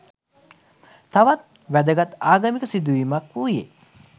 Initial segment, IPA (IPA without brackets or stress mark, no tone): t̪